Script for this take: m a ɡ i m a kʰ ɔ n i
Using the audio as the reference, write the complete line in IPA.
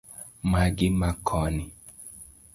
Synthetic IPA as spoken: m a ɡ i m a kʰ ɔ n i